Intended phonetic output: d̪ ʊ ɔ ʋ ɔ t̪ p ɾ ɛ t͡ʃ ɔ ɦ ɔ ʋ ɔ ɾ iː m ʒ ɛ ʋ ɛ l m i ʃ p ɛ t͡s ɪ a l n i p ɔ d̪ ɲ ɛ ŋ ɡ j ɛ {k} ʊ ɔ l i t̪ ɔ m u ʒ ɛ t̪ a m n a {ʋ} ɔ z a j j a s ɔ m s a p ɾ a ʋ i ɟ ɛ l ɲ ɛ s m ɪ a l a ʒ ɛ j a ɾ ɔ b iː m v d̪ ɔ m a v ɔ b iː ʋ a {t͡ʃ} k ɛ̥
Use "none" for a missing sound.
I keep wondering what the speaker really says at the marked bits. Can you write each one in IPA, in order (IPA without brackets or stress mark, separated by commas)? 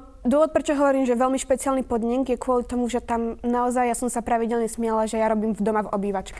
k, none, t͡ʃ